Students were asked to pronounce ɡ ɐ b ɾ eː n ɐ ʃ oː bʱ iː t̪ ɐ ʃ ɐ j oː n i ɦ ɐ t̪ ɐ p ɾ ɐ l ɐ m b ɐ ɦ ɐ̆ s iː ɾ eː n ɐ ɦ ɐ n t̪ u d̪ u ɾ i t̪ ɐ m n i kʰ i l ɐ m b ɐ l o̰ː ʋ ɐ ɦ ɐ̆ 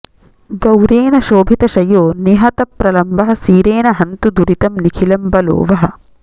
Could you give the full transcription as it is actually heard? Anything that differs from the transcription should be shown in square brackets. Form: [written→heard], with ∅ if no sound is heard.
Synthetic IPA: ɡ ɐ [b→w] ɾ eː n ɐ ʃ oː bʱ [iː→i] t̪ ɐ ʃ ɐ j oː n i ɦ ɐ t̪ ɐ p ɾ ɐ l ɐ m b ɐ ɦ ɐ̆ s iː ɾ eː n ɐ ɦ ɐ n t̪ u d̪ u ɾ i t̪ ɐ m n i kʰ i l ɐ m b ɐ l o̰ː ʋ ɐ ɦ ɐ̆